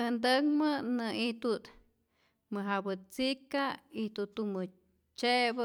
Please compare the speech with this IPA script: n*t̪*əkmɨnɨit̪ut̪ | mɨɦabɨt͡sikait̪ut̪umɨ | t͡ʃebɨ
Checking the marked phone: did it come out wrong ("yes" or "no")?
yes